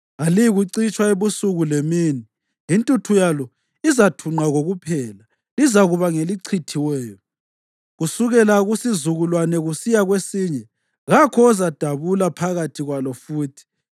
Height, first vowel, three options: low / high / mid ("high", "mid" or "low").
low